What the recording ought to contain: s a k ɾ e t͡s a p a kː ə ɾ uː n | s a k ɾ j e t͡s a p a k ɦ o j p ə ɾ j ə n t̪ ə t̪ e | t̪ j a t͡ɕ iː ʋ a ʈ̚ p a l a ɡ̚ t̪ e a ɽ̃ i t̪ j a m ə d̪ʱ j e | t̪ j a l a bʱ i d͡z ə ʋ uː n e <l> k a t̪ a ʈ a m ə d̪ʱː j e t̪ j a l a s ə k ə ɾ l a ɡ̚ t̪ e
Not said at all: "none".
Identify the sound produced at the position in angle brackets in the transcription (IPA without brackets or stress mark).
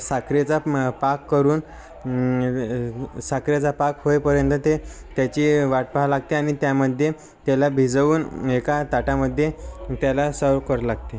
none